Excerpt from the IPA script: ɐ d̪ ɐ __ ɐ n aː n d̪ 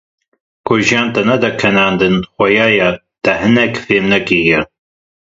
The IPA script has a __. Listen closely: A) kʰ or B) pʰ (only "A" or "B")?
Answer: A